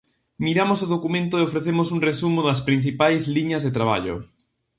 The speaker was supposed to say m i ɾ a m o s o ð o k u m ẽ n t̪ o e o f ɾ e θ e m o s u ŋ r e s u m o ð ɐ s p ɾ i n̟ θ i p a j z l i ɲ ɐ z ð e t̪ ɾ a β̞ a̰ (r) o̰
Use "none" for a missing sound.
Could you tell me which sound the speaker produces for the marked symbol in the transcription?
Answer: ʎ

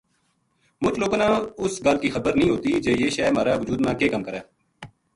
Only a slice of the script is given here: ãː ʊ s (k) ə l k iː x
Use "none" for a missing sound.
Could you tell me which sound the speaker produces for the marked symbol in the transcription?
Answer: ɡ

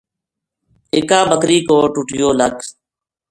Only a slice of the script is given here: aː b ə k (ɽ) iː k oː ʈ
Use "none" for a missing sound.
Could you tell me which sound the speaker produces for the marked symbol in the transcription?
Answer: ɾ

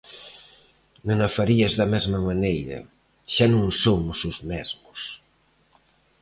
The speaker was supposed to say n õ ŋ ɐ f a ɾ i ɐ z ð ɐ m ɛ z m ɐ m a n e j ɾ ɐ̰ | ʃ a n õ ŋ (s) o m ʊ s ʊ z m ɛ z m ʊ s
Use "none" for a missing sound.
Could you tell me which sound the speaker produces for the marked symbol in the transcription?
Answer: s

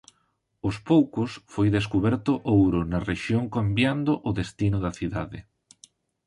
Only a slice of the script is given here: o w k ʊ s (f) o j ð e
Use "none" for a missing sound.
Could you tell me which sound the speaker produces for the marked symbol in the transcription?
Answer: f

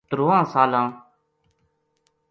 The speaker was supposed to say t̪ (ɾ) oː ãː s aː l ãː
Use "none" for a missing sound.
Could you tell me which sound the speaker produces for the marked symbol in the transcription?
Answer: ɾ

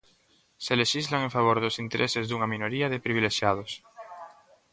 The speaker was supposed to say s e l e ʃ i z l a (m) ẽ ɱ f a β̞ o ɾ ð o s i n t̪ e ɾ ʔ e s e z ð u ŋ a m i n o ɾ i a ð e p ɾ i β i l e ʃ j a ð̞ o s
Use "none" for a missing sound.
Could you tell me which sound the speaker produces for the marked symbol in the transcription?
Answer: ŋ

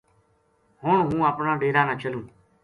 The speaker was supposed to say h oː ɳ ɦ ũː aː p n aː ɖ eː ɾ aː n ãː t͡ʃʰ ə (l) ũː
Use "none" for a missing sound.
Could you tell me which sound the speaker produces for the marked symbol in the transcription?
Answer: l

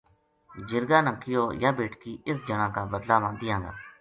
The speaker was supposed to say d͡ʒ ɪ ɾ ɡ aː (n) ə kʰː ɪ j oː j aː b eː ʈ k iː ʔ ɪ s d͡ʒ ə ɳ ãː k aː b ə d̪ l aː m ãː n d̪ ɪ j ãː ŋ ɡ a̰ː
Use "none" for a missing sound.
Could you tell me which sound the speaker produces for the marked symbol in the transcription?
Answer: n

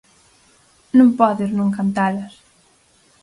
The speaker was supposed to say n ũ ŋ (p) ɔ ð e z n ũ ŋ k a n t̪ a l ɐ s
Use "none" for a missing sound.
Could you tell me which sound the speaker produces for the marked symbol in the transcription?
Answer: p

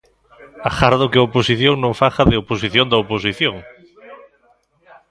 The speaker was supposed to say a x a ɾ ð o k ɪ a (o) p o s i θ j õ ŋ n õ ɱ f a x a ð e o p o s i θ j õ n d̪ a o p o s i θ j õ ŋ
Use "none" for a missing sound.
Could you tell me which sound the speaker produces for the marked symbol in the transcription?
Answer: o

